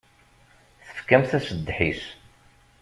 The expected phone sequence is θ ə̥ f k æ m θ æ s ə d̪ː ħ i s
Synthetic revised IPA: θ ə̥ f k æ m θ æ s ə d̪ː ħ i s